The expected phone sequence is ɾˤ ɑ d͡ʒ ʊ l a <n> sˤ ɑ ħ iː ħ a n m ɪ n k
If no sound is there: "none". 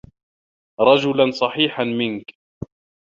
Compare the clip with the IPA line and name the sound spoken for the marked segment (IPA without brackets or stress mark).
n